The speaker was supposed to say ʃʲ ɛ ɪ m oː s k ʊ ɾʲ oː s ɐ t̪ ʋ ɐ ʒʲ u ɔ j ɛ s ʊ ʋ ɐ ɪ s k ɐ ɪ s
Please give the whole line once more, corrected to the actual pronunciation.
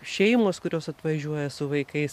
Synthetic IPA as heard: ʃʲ ɛ ɪ m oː s k ʊ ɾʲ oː s ɐ t̪ ʋ ɐ ʒʲ u ɔ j ɛ s ʊ ʋ ɐ ɪ k ɐ ɪ s

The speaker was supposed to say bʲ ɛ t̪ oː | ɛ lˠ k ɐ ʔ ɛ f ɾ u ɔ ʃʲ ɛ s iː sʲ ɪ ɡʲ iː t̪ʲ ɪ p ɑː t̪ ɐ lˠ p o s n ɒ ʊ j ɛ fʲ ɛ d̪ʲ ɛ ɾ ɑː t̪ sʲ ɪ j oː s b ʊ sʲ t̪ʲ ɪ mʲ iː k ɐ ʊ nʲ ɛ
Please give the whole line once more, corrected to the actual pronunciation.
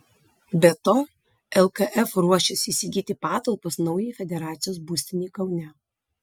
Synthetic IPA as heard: bʲ ɛ t̪ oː | ɛ lˠ k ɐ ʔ ɛ f ɾ u ɔ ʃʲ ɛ s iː sʲ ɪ ɡʲ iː t̪ʲ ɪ p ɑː t̪ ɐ lˠ p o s n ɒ ʊ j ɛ fʲ ɛ d̪ʲ ɛ ɾ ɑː t̪ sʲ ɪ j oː s b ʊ sʲ t̪ʲ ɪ nʲ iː k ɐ ʊ nʲ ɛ

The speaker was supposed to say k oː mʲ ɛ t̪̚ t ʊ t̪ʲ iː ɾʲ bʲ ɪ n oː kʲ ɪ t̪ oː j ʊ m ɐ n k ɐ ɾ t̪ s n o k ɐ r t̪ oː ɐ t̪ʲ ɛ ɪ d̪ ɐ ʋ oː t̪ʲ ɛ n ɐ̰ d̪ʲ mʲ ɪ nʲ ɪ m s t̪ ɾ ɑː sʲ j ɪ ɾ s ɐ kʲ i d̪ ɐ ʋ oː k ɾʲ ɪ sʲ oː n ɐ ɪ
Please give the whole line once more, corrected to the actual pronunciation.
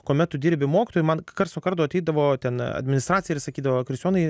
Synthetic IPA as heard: k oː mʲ ɛ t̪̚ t ʊ d̪ʲ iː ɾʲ bʲ ɪ m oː kʲ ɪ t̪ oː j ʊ m ɐ n k ɐ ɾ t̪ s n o k ɐ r t̪ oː ɐ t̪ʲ ɛ ɪ d̪ ɐ ʋ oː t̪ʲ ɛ n ɐ̰ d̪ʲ mʲ ɪ nʲ ɪ s t̪ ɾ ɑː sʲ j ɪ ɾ s ɐ kʲ iː d̪ ɐ ʋ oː k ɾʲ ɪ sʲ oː n ɐ ɪ

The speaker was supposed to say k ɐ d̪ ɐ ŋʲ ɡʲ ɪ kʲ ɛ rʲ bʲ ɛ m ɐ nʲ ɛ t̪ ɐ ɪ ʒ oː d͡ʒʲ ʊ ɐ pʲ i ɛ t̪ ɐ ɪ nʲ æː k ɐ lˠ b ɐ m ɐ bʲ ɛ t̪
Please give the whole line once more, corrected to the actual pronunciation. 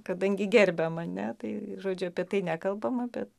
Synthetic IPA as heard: k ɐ d̪ ɐ ŋʲ ɡʲ ɪ ɡʲ ɛ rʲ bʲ ɛ m ɐ nʲ ɛ t̪ ɐ ɪ ʒ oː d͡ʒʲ ʊ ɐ pʲ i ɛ t̪ ɐ ɪ nʲ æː k ɐ lˠ b ɐ m ɐ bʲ ɛ t̪

